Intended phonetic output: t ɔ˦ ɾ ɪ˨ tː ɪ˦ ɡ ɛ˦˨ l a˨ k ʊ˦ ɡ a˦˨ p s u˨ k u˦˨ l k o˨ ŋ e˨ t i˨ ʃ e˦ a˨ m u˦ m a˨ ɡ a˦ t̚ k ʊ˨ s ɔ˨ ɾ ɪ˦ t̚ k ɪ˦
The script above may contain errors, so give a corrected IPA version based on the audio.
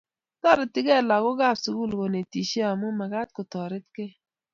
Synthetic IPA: t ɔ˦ ɾ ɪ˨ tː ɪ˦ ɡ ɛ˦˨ l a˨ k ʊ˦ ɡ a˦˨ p s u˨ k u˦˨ l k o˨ n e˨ t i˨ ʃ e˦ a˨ m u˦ m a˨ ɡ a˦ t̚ k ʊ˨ t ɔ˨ ɾ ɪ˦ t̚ k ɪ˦